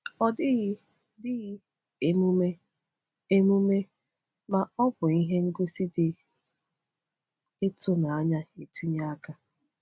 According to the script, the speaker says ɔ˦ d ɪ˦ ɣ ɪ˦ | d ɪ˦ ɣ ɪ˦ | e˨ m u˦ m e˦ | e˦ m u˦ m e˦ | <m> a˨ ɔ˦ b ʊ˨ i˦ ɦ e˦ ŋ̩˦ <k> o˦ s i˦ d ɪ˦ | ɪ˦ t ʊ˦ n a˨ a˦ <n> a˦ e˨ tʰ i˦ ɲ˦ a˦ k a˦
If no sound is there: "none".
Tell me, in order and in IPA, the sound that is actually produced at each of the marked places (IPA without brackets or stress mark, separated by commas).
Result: m, ɡ, ɲ